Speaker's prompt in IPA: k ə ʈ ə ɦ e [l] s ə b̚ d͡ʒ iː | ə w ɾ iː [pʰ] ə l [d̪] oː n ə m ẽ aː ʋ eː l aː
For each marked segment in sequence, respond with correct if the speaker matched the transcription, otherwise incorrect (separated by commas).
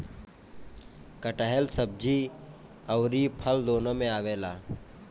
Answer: correct, correct, correct